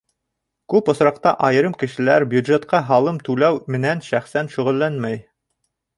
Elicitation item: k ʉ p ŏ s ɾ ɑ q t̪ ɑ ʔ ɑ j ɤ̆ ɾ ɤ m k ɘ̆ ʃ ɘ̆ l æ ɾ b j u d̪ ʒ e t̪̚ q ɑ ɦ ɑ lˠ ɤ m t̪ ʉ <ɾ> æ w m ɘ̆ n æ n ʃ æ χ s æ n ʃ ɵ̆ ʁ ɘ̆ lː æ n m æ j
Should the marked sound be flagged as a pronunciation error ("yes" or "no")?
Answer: yes